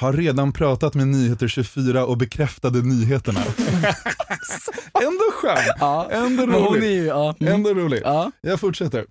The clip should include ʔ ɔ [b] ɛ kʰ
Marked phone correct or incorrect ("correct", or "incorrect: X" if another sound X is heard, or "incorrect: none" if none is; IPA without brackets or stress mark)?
correct